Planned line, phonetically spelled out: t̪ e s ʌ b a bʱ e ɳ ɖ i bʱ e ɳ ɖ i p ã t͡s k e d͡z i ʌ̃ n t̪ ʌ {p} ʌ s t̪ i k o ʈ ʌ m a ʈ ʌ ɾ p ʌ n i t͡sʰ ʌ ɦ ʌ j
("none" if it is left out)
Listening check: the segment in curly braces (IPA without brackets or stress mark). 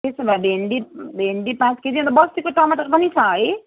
b